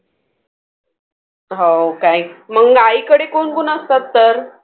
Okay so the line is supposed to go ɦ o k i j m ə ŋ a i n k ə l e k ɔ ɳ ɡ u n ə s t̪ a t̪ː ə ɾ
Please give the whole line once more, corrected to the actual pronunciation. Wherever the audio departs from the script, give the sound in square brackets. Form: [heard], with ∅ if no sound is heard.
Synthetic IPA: ɦ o k [a] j m ə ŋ a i [∅] k ə [ɽ] e k [o] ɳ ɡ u n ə s t̪ a t̪ː ə ɾ